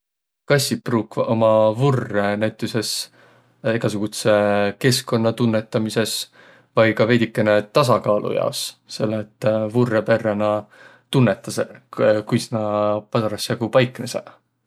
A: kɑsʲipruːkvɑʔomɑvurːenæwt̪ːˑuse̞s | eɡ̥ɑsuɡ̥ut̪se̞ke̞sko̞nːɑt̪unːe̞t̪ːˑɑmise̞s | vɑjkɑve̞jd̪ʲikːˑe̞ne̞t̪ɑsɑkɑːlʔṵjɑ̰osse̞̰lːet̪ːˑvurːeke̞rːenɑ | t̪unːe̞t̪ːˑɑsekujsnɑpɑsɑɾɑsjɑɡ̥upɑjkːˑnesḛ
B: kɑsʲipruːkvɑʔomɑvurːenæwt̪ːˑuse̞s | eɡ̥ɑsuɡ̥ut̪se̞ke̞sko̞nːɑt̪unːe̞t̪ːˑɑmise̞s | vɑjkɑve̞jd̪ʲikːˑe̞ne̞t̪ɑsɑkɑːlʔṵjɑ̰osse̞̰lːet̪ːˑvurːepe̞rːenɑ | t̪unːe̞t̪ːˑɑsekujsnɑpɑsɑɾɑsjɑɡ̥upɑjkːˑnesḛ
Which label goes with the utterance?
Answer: B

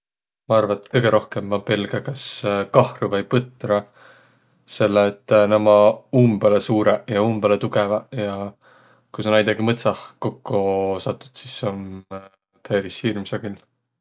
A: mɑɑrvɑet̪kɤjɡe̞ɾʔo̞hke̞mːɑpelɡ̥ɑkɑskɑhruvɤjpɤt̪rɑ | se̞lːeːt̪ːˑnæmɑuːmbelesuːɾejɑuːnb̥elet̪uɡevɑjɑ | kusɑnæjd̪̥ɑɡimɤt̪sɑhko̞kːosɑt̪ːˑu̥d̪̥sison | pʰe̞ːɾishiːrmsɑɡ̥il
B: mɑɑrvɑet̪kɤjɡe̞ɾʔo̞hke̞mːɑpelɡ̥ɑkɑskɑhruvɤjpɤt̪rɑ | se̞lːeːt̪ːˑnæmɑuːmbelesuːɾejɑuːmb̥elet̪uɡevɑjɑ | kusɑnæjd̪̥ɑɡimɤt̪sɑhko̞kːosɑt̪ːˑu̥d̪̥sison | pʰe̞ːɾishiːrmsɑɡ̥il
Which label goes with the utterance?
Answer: B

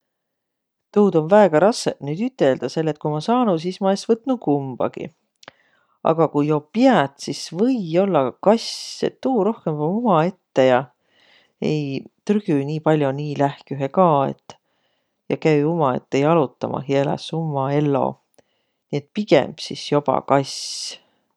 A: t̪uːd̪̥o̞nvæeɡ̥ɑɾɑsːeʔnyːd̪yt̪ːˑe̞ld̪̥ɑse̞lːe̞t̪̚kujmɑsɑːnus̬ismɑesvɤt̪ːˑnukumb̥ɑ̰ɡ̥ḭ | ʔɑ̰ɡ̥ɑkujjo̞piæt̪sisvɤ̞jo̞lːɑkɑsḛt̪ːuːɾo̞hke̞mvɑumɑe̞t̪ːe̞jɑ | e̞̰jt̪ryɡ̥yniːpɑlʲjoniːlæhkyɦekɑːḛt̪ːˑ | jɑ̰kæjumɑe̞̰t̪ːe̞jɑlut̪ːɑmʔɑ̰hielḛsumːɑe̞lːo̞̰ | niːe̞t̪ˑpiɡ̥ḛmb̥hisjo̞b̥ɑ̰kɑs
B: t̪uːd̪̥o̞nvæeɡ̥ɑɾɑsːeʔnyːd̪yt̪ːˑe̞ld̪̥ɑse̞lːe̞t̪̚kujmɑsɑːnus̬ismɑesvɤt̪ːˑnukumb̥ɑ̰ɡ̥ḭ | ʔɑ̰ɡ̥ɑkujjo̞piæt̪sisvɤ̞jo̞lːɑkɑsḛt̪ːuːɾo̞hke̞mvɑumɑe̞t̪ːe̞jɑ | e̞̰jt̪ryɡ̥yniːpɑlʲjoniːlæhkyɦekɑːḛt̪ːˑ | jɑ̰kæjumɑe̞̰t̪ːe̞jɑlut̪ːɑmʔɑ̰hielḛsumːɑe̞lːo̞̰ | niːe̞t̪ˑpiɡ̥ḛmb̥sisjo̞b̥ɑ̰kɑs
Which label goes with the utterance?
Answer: B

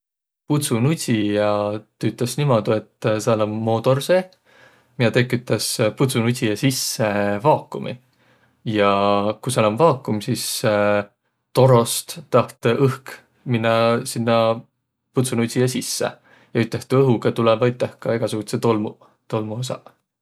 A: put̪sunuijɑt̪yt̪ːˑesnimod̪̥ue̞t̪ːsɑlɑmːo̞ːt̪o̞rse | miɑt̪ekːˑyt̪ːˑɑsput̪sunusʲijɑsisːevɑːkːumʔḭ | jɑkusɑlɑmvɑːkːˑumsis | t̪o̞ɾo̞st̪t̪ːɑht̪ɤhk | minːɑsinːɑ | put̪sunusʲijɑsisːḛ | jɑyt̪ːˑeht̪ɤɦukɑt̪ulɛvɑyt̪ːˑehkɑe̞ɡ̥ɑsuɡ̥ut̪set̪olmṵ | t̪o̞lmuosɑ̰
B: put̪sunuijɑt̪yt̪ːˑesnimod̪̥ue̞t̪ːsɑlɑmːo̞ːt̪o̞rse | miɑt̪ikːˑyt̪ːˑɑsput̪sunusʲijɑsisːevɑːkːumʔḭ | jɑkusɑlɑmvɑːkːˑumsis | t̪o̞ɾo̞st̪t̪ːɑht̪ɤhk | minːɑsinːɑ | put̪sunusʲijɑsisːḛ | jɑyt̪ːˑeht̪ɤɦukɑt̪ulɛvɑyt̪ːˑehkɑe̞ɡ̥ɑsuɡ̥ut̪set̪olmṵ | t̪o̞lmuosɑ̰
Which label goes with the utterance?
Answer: A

